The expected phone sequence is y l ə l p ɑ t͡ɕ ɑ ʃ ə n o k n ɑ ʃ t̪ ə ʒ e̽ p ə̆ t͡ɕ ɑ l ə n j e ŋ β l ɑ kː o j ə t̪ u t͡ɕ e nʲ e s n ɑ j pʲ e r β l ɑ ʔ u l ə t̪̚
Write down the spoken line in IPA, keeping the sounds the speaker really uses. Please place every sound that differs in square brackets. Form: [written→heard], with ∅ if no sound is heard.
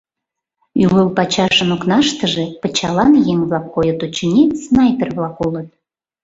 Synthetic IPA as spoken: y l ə l p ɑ t͡ɕ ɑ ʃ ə n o k n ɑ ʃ t̪ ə ʒ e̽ p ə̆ t͡ɕ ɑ l [ə→ɑ] n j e ŋ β l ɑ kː o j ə t̪ u t͡ɕ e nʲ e s n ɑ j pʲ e r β l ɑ [ʔ→k] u l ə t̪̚